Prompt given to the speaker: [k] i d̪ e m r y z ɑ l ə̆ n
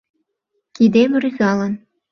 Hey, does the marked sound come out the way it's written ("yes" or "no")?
yes